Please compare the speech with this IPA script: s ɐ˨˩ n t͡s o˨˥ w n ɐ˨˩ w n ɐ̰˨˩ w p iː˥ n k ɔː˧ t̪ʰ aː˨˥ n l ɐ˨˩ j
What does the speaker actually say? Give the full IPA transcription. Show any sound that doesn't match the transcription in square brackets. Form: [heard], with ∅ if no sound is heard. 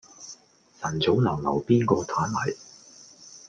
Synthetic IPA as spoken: s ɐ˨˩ n t͡s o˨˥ w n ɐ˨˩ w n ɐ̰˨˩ w p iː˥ n k ɔː˧ t̪ʰ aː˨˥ n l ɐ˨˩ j